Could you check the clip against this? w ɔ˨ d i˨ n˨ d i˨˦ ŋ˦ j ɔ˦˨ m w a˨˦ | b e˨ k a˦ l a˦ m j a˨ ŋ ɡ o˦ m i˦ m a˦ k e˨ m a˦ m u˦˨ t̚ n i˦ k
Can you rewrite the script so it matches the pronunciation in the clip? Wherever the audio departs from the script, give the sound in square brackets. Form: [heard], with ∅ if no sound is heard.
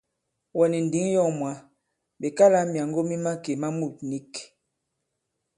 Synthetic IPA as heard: w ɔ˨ [n] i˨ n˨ d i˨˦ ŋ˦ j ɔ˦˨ m w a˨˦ | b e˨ k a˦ l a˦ m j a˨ ŋ ɡ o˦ m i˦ m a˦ k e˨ m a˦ m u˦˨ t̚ n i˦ k